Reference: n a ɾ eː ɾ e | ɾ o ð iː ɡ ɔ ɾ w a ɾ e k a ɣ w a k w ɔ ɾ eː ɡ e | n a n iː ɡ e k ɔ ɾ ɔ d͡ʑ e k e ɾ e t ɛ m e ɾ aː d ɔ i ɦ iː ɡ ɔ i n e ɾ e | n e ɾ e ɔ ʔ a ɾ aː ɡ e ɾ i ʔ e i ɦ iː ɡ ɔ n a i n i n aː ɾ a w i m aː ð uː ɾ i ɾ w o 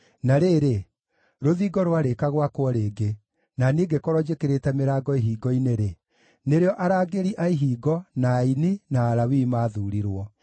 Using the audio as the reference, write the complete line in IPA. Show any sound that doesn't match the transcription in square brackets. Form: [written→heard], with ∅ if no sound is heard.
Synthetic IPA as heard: n a ɾ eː ɾ e | ɾ o ð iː ɡ ɔ ɾ w a ɾ e k a ɣ w a k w ɔ ɾ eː ɡ e | n a n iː ɡ e k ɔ ɾ ɔ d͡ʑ e k e ɾ e t ɛ m e ɾ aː [d→ɡ] ɔ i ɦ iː ɡ ɔ i n e ɾ e | n e ɾ e ɔ ʔ a ɾ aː ɡ e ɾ i ʔ [e→a] i ɦ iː ɡ ɔ n a i n i n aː ɾ a w i m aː ð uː ɾ i ɾ w [o→ɔ]